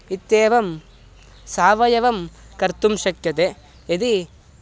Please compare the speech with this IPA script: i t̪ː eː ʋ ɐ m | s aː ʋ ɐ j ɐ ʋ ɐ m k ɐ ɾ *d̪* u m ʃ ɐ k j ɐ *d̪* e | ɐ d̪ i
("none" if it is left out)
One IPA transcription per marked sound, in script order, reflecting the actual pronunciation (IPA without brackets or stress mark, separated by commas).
t̪, t̪